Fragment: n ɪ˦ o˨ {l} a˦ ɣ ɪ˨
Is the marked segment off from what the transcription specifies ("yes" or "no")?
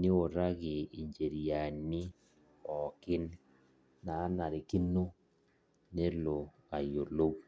yes